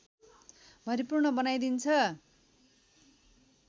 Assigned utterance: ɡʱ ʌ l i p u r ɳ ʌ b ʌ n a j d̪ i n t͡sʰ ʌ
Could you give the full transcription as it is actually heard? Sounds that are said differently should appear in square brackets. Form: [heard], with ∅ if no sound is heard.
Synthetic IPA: [bʱ] ʌ [ɾ] i p u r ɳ ʌ b ʌ n a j d̪ i n t͡sʰ ʌ